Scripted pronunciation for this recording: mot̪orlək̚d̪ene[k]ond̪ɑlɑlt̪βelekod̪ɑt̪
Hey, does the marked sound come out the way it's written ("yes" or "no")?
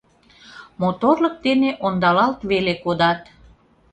no